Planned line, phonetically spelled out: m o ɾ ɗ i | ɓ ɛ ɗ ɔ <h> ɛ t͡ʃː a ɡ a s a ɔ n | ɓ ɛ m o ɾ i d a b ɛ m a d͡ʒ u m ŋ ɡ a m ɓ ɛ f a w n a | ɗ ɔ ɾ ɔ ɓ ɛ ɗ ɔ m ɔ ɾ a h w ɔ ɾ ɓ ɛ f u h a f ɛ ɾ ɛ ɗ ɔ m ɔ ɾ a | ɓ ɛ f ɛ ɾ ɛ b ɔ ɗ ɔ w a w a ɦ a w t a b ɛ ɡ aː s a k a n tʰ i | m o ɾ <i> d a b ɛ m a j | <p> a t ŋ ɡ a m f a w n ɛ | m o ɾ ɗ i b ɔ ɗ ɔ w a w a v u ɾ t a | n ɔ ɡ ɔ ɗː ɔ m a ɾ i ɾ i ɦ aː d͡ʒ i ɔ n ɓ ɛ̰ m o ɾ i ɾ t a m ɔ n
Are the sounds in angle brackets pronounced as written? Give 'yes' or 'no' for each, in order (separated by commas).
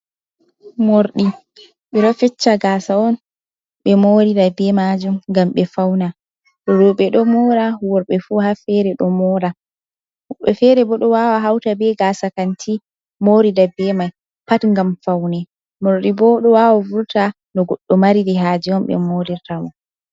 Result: no, yes, yes